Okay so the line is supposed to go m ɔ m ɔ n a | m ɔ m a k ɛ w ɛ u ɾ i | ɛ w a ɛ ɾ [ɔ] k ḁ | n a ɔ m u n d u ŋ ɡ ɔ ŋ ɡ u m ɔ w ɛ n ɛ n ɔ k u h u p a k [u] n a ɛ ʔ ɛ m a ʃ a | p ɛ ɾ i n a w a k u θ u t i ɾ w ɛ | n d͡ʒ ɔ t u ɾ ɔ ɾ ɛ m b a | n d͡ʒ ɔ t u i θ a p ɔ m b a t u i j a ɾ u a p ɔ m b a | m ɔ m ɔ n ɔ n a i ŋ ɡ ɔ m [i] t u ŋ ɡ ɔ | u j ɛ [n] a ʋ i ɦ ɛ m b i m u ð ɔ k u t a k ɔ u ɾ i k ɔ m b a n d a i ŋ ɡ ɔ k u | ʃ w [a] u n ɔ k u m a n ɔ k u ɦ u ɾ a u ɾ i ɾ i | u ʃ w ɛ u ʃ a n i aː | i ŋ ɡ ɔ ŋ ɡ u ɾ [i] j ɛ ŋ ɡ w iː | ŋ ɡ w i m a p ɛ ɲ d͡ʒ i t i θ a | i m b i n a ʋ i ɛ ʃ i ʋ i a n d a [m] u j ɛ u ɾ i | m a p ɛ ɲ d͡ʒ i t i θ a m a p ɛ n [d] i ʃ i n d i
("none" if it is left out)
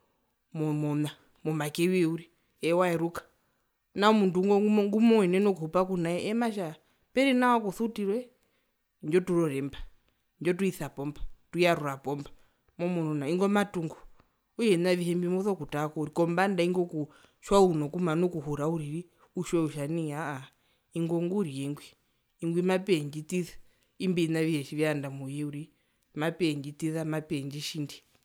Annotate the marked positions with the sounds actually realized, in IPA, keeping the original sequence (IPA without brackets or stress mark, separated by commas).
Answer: u, u, a, n, a, i, m, d͡ʒ